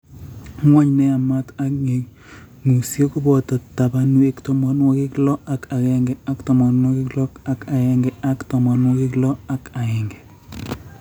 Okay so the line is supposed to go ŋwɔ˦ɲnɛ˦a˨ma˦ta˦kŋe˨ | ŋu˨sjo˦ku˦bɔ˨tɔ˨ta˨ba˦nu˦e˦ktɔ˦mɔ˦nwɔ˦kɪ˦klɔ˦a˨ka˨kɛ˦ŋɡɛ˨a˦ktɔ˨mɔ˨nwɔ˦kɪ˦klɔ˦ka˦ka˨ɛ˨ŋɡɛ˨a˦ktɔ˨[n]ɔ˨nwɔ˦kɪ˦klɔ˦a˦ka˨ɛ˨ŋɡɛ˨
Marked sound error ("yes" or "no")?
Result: yes